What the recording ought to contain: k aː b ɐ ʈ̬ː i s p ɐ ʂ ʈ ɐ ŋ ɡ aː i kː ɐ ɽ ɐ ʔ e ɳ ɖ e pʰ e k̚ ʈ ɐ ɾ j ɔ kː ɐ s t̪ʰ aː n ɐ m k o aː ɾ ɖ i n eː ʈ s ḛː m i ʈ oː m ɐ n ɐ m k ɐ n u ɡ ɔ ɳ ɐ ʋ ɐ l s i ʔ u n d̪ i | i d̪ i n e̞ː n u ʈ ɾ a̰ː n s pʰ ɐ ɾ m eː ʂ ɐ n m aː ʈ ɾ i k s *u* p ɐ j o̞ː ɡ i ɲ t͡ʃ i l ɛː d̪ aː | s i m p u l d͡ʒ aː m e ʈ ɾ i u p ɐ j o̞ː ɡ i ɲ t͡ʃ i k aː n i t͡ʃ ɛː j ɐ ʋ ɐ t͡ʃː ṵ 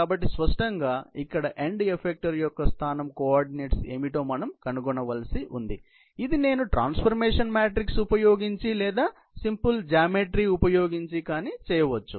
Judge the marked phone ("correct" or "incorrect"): correct